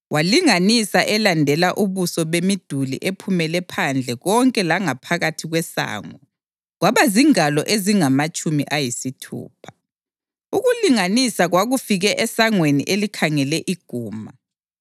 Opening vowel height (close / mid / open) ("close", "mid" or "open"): open